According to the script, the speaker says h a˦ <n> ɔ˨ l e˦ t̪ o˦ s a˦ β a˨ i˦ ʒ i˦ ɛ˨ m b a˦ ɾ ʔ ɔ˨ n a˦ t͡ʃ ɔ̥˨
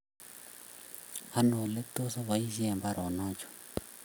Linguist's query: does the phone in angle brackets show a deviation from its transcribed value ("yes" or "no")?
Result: no